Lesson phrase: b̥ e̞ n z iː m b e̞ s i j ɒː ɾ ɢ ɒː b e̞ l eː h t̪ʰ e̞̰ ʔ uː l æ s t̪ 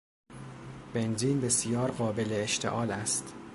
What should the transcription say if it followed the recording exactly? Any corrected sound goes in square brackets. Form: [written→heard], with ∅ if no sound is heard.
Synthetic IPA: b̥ e̞ n z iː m b e̞ s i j ɒː ɾ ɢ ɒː b e̞ l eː [h→ʃ] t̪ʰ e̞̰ ʔ [uː→ɒː] l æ s t̪